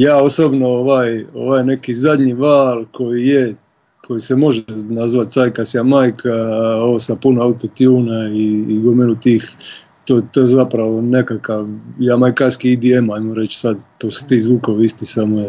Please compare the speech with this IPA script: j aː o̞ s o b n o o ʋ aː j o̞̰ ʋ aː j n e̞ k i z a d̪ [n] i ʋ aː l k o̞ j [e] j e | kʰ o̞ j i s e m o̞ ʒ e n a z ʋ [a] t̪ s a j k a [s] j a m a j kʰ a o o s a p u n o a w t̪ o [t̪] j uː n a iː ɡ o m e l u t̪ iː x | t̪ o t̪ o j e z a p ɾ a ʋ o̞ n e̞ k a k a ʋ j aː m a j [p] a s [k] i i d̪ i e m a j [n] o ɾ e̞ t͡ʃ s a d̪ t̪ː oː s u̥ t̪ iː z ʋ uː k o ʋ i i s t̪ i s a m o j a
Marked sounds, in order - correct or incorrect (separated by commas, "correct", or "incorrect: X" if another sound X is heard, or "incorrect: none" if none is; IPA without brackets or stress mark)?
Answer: incorrect: ɲ, incorrect: i, correct, correct, correct, incorrect: k, correct, incorrect: m